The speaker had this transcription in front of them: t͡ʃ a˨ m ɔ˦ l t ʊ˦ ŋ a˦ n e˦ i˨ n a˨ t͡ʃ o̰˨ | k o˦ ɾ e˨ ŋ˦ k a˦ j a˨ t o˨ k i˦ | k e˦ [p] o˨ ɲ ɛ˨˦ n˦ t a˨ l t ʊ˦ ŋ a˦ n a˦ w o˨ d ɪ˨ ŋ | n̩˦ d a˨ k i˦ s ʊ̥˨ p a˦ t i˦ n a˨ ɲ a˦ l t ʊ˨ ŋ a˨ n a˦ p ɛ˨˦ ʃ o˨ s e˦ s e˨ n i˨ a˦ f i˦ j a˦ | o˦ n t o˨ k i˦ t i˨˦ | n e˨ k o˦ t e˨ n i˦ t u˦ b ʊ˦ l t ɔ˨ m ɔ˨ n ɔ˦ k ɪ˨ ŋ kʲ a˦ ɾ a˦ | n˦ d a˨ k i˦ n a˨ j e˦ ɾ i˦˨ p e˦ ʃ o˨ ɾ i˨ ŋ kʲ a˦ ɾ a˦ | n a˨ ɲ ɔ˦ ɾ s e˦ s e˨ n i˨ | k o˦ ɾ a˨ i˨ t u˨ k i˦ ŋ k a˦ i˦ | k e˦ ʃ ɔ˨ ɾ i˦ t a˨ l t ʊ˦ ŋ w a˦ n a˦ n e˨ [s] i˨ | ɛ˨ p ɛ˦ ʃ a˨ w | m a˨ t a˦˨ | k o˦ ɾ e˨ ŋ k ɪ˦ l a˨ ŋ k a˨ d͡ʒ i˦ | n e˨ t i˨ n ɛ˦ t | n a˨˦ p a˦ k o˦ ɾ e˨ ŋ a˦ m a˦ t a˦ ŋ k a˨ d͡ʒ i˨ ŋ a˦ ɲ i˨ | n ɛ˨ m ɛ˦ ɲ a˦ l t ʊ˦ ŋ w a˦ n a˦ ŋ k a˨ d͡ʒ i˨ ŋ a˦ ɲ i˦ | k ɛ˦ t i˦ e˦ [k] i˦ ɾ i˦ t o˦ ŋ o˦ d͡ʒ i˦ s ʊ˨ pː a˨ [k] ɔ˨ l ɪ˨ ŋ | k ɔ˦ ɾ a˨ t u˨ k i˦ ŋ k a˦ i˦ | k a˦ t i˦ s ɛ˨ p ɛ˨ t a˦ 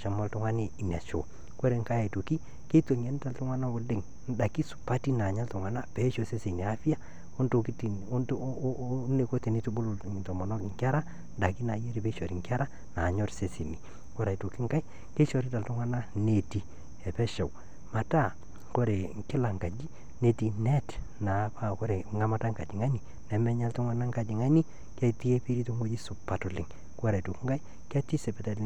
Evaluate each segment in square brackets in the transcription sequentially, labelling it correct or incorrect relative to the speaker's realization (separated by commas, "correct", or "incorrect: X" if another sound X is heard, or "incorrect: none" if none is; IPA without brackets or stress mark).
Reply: incorrect: t, incorrect: t, incorrect: p, incorrect: t